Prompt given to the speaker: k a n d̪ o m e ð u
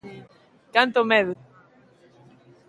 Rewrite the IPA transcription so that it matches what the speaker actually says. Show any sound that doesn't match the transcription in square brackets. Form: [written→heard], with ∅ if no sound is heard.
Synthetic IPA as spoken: k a n [d̪→t̪] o m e ð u